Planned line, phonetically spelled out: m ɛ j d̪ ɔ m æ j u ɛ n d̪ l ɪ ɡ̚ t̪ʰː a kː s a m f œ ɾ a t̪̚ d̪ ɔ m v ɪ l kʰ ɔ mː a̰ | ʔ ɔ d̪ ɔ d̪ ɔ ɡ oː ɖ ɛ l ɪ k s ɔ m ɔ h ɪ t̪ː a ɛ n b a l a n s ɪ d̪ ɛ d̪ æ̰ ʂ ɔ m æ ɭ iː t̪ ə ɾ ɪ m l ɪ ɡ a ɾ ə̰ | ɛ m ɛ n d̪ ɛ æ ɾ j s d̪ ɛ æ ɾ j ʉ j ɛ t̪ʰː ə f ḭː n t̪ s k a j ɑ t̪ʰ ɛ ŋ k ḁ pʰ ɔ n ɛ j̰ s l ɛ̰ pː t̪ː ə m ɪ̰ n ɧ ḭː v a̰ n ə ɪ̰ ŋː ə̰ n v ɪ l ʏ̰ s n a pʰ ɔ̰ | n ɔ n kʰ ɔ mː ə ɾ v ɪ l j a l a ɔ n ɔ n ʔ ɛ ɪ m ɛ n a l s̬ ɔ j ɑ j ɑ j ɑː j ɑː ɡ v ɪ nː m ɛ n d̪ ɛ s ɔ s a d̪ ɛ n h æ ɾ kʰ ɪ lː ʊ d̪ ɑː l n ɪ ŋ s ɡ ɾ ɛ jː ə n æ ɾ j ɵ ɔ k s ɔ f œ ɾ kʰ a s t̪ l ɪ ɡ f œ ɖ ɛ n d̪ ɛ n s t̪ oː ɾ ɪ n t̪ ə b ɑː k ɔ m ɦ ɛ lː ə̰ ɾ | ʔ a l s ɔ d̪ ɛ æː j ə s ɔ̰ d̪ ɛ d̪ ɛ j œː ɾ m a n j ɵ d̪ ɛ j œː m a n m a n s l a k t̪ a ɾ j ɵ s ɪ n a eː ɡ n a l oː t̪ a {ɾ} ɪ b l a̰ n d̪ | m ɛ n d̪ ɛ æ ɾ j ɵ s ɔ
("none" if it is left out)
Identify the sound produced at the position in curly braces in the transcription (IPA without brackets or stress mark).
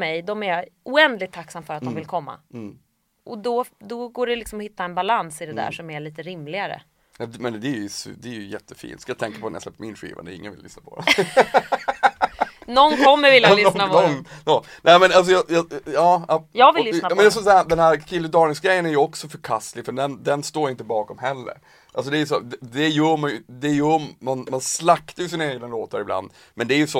ɾ